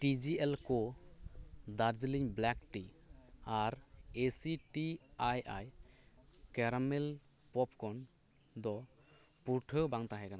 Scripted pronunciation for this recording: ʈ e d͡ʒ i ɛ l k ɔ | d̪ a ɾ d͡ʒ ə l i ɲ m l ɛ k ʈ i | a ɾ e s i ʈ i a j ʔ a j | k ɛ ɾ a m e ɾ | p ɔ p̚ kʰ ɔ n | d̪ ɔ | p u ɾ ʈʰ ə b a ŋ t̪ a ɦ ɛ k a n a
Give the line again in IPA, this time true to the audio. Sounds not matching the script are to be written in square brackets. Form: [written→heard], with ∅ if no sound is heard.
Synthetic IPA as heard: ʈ [e→i] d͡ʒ i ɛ l k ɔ | d̪ a ɾ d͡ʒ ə l i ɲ [m→b] l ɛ k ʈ i | a ɾ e s i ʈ i a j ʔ a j | k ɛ ɾ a m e [ɾ→l] | p ɔ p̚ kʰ ɔ n | d̪ ɔ | p u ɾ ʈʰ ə b a ŋ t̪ a ɦ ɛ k a n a

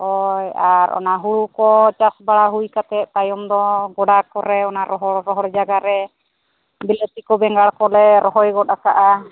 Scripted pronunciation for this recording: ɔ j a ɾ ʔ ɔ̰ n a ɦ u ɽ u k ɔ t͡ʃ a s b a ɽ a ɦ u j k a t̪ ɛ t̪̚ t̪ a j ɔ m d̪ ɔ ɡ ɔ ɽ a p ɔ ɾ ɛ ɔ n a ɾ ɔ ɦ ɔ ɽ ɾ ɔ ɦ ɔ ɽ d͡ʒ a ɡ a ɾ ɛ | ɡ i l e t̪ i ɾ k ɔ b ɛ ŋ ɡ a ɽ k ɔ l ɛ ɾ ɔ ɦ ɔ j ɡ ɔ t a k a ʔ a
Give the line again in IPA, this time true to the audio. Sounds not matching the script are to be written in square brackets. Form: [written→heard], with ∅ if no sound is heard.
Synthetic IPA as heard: ɔ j a ɾ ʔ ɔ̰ n a ɦ u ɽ u k ɔ t͡ʃ a s b a ɽ a ɦ u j k a t̪ ɛ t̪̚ t̪ a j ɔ m d̪ ɔ ɡ ɔ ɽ a [p→k] ɔ ɾ ɛ ɔ n a ɾ ɔ ɦ ɔ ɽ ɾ ɔ ɦ ɔ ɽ d͡ʒ a ɡ a ɾ ɛ | [ɡ→b] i l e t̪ i [ɾ→∅] k ɔ b ɛ ŋ ɡ a ɽ k ɔ l ɛ ɾ ɔ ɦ ɔ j ɡ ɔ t a k a ʔ a

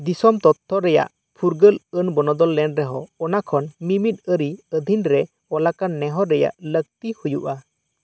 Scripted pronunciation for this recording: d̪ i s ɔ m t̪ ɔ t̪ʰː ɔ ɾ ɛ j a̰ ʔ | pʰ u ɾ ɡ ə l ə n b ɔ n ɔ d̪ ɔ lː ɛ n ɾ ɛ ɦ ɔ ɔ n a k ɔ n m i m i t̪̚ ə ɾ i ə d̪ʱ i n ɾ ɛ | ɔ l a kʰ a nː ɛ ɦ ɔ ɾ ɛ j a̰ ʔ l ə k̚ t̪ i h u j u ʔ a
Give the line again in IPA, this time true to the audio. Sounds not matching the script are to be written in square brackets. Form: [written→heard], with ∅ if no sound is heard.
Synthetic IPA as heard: d̪ i s ɔ m t̪ ɔ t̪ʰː ɔ ɾ ɛ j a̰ ʔ | pʰ u ɾ ɡ ə l ə n b ɔ n ɔ d̪ ɔ lː ɛ n ɾ ɛ ɦ ɔ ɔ n a [k→kʰ] ɔ n m i m i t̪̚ ə ɾ i ə d̪ʱ i n ɾ ɛ | ɔ l a [kʰ→k] a nː ɛ ɦ ɔ ɾ ɛ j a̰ ʔ l ə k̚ t̪ i h u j u ʔ a

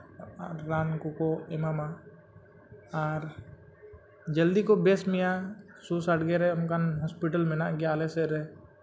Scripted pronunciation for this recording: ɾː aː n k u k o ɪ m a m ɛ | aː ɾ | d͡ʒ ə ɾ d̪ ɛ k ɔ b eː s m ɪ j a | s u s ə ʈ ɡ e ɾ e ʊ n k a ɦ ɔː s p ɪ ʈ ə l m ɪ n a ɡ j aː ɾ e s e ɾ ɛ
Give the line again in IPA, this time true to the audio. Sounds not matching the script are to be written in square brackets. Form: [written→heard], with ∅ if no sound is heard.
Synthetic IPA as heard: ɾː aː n k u k o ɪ m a m [ɛ→a] | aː ɾ | d͡ʒ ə [ɾ→l] d̪ [ɛ→i] k [ɔ→o] b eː s m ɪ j a | s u s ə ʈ ɡ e ɾ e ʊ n k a ɦ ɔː s p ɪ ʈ ə l m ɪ n a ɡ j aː [ɾ→l] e s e ɾ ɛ

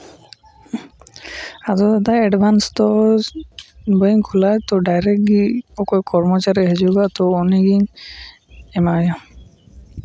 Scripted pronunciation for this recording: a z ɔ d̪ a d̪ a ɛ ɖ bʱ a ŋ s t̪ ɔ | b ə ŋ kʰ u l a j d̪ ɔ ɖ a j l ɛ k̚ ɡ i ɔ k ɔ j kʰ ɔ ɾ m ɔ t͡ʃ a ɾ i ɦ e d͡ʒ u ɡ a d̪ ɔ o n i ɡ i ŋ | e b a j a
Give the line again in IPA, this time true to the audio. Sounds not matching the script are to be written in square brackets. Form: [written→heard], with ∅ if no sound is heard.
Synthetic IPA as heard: a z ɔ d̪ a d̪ a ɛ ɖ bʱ a [ŋ→n] s t̪ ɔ | b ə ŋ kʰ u l a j [d̪→t̪] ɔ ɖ a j [l→ɾ] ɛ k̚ ɡ i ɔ k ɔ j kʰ ɔ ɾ m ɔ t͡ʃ a ɾ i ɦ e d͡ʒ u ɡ a [d̪→t̪] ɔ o n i ɡ i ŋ | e [b→m] a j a

